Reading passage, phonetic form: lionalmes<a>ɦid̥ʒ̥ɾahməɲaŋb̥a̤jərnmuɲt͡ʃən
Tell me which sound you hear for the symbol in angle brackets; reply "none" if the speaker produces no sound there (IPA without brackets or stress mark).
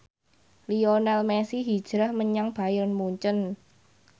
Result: i